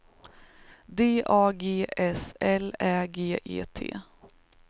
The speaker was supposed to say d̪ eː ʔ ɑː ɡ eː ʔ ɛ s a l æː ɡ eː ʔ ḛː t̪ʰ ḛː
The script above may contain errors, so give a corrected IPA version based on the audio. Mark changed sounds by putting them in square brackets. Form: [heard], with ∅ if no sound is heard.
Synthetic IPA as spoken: d̪ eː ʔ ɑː ɡ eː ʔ ɛ s [ɛ] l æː ɡ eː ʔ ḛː t̪ʰ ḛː